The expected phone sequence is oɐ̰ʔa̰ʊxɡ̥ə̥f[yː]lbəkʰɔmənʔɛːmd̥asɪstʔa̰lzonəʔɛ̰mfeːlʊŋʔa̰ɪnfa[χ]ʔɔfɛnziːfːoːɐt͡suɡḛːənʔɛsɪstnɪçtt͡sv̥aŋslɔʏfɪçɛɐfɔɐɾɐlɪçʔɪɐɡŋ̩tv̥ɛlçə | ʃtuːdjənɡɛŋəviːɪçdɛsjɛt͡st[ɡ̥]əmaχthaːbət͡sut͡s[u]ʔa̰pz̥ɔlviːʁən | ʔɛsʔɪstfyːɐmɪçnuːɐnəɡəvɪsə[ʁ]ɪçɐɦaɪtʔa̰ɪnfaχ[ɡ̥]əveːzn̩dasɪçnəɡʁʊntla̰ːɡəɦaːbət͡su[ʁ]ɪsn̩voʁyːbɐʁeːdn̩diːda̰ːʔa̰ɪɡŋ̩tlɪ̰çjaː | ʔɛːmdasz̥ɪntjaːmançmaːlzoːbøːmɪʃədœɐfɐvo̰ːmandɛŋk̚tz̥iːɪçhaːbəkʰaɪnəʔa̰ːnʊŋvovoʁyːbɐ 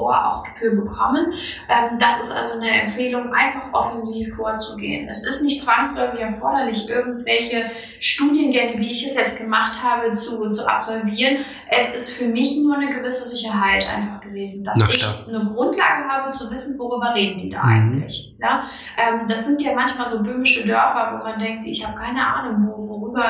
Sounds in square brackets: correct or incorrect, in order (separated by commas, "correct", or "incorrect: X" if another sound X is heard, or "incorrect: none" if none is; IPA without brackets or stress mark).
correct, correct, correct, correct, incorrect: z, correct, incorrect: v